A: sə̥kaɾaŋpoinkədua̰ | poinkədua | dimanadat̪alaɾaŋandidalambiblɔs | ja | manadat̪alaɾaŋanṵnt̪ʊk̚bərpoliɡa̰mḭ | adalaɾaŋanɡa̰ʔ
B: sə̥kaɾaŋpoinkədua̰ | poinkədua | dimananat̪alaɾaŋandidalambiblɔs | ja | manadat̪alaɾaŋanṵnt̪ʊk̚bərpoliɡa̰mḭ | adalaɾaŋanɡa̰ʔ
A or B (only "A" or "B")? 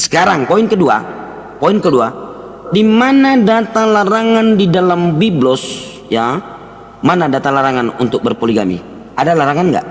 A